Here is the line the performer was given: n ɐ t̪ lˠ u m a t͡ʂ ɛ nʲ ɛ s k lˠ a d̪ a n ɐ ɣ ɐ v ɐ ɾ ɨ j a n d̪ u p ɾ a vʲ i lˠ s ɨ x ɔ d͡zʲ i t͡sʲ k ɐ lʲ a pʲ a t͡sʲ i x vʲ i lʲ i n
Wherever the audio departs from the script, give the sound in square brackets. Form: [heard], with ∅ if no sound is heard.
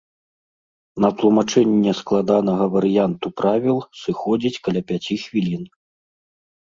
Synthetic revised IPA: n ɐ t̪ lˠ u m a t͡ʂ ɛ [nʲː] ɛ s k lˠ a d̪ a n ɐ ɣ ɐ v ɐ ɾ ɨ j a n [t̪] u p ɾ a vʲ i lˠ s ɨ x ɔ d͡zʲ i t͡sʲ k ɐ lʲ a pʲ a t͡sʲ i x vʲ i lʲ i n